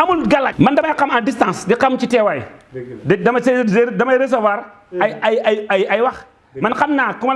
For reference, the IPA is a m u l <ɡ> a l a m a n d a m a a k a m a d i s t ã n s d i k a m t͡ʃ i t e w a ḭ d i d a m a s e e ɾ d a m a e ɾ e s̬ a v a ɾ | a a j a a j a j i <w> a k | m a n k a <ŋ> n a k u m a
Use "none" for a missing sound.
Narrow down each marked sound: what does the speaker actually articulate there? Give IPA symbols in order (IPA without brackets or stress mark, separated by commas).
ɡ, w, m